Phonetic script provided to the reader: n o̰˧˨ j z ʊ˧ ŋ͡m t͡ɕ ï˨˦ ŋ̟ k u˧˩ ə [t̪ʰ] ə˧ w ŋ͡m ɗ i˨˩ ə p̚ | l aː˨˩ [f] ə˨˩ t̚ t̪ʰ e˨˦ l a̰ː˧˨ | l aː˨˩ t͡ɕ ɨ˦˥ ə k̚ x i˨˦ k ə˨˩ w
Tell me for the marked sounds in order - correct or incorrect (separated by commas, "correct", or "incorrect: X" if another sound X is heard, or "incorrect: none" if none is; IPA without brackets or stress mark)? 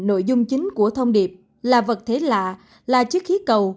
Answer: correct, incorrect: v